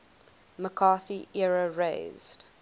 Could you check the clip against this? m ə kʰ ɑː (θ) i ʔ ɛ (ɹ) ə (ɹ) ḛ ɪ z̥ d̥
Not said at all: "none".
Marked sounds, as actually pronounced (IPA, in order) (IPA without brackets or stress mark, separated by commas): θ, ɹ, ɹ